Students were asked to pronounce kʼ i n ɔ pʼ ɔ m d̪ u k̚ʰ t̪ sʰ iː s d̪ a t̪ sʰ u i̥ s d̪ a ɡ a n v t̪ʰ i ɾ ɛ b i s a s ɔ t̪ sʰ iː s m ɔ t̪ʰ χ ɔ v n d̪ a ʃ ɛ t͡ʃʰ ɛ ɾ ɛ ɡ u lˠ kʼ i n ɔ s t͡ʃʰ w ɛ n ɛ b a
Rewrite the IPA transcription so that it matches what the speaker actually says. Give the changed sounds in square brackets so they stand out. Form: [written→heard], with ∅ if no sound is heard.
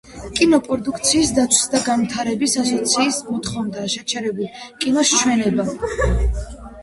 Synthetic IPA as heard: kʼ i n ɔ pʼ ɔ [m→∅] d̪ u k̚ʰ t̪ sʰ iː s d̪ a t̪ sʰ [u→w] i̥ s d̪ a ɡ a n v t̪ʰ [i→a] ɾ ɛ b i s a s ɔ t̪ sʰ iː s m ɔ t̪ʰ χ ɔ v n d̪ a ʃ ɛ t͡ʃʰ ɛ ɾ ɛ [ɡ→b] u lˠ kʼ i n ɔ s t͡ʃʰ w ɛ n ɛ b a